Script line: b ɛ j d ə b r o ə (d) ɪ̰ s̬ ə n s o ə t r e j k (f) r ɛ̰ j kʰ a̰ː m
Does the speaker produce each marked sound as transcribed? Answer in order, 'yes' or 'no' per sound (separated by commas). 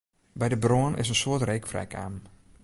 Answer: no, yes